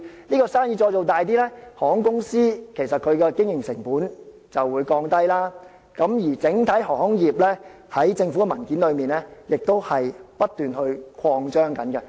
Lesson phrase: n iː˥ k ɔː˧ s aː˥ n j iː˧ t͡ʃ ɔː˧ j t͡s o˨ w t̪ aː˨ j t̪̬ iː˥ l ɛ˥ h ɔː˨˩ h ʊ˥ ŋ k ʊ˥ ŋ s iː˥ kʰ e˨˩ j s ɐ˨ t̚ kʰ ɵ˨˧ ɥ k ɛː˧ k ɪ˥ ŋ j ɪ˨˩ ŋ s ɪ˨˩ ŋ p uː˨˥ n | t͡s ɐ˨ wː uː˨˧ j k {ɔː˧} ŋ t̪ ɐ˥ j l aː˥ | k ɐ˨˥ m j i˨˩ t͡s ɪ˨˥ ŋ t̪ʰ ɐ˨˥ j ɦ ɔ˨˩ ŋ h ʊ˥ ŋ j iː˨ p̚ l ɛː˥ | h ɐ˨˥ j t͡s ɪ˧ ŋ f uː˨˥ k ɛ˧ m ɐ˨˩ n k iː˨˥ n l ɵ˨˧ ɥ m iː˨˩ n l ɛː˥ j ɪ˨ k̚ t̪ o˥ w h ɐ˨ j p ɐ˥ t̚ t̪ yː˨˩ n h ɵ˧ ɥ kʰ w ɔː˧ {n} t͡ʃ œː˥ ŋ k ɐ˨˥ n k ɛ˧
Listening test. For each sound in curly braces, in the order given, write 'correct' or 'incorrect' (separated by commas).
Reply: correct, incorrect